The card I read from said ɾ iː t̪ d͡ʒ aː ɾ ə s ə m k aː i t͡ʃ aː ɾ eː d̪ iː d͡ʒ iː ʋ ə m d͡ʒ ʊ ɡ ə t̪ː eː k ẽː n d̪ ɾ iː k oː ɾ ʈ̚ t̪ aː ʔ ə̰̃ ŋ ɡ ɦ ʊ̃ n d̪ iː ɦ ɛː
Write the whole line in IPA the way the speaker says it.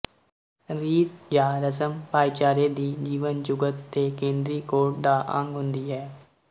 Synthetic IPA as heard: ɾ iː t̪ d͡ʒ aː ɾ ə s ə m p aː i t͡ʃ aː ɾ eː d̪ iː d͡ʒ iː ʋ ə n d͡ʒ ʊ ɡ ə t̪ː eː k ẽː n d̪ ɾ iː k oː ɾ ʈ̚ d̪ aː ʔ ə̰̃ ŋ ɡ ɦ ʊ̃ n d̪ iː ɦ ɛː